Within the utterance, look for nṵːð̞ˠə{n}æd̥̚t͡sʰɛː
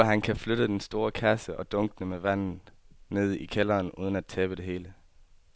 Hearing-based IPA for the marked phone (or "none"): n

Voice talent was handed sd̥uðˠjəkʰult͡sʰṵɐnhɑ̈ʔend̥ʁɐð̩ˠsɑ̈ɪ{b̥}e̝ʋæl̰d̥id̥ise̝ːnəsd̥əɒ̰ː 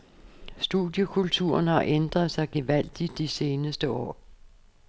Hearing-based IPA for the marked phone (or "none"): ɡ̥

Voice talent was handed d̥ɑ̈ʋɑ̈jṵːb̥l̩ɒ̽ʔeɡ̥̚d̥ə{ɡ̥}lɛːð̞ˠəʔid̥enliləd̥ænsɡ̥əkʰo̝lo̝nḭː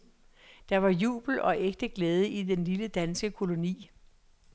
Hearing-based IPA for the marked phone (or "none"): ɡ̥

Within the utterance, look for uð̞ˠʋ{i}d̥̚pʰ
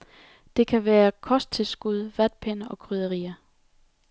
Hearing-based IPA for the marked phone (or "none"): æ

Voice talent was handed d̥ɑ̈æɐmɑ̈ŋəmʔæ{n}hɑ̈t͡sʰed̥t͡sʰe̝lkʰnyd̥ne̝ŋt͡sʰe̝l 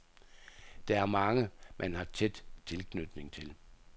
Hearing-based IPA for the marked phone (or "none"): n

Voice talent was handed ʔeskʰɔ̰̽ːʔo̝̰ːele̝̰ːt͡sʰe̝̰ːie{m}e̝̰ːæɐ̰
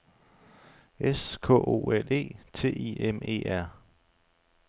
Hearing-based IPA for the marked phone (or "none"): m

